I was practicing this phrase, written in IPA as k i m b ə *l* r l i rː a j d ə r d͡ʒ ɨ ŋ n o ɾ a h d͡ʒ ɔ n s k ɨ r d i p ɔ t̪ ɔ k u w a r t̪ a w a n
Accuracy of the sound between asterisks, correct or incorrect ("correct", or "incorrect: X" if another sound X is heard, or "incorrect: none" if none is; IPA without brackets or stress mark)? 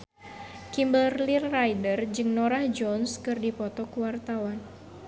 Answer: correct